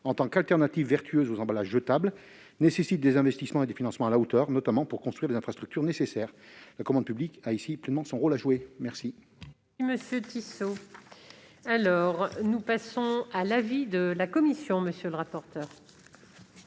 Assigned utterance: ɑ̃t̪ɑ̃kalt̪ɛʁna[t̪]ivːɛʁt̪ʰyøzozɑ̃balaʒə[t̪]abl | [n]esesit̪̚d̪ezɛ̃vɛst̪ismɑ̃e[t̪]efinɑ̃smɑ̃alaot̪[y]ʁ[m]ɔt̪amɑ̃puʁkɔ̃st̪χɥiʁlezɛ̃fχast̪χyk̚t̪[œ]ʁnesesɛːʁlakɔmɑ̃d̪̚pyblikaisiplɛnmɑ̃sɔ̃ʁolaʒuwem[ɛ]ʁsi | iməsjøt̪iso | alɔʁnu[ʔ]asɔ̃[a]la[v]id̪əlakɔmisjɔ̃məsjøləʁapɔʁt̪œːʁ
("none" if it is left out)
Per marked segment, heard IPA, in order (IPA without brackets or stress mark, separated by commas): t̪, t̪, n, d̪, œ, n, y, ɛ, p, a, v